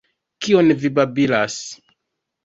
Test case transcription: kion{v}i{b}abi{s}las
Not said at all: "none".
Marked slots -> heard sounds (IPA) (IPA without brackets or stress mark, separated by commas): v, b, none